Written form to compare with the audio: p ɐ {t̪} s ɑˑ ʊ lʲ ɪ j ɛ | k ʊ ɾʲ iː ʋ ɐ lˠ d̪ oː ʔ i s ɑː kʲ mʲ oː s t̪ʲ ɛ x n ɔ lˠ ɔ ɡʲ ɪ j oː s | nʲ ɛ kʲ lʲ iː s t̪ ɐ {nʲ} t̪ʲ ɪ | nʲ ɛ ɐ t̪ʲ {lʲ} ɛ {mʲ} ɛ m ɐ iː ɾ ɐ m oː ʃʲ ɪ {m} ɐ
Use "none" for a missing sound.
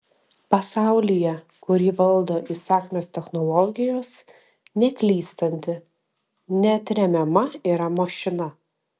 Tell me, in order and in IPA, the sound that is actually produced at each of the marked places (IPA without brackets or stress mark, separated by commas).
none, nʲ, ɾʲ, mʲ, n